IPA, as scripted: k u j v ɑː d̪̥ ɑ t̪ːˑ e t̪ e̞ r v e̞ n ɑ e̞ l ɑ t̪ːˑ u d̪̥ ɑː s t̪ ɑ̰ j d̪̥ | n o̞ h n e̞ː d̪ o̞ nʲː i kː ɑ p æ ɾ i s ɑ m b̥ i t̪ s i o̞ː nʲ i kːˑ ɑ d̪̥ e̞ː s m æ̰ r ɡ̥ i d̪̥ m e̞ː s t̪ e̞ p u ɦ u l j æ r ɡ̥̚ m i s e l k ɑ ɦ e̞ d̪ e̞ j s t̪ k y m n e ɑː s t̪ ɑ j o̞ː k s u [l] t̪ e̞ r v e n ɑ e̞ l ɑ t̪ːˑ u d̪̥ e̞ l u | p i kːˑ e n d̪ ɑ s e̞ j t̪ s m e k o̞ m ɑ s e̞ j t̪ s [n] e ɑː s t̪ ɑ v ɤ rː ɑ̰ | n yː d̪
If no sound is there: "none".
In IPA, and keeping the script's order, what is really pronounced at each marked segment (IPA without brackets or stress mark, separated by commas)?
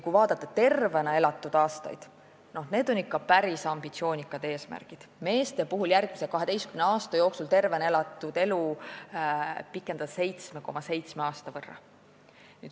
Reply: l, m